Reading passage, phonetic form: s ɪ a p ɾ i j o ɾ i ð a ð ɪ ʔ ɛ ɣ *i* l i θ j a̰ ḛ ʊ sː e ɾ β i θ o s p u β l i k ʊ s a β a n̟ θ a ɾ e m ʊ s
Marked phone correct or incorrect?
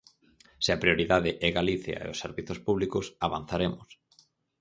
incorrect: a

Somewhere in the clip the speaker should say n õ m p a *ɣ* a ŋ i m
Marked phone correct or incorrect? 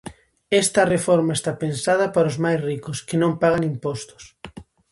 correct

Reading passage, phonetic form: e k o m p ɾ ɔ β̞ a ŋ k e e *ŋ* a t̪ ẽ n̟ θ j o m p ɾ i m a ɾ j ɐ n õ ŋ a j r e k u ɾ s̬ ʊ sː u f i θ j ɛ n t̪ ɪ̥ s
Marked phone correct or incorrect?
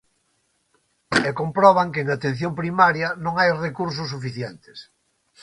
correct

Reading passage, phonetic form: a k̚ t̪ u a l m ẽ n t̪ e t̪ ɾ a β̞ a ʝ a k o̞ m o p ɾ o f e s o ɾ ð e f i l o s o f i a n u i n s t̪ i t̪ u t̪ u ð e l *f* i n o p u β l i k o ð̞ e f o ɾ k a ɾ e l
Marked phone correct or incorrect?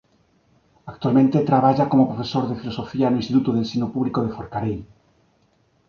incorrect: s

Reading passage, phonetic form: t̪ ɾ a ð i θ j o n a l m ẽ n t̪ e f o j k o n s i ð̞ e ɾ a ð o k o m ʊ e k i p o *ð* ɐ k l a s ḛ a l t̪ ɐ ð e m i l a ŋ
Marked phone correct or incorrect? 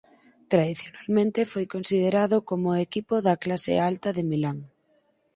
correct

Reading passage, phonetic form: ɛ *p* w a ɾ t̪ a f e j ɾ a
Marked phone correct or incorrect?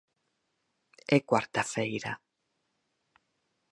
incorrect: k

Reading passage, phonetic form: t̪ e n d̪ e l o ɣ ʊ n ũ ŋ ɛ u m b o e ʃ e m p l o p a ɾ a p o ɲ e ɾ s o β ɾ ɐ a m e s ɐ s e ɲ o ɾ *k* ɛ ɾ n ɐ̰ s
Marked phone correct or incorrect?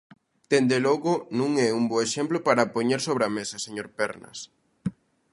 incorrect: p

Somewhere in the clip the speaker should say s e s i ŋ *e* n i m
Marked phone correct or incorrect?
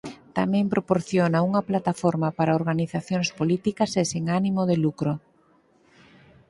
incorrect: a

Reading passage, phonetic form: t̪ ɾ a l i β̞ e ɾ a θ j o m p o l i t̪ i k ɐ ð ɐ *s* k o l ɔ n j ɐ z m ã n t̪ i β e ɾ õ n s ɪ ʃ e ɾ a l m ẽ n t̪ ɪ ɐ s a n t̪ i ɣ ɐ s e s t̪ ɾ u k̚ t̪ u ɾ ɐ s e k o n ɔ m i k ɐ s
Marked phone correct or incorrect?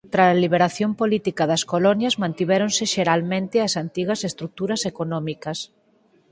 correct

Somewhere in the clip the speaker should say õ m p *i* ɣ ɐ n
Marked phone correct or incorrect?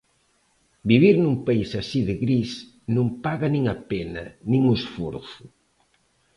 incorrect: a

